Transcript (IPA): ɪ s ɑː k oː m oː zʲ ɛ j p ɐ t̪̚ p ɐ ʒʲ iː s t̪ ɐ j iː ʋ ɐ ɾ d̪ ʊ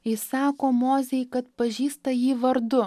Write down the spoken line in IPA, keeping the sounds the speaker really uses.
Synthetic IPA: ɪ s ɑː k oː m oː zʲ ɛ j k ɐ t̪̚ p ɐ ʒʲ iː s t̪ ɐ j iː ʋ ɐ ɾ d̪ ʊ